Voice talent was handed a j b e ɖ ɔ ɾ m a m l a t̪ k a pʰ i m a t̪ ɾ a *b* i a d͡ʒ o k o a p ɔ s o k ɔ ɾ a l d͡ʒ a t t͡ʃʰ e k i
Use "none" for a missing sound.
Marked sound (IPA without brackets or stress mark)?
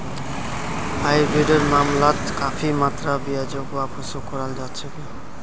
b